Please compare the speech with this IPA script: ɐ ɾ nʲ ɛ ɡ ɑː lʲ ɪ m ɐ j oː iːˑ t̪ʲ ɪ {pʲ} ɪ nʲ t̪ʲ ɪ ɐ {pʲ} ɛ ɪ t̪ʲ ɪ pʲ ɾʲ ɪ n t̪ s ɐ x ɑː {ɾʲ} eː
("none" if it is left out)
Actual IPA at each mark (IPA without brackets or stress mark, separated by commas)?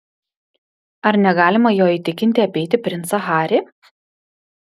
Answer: kʲ, pʲ, ɾʲ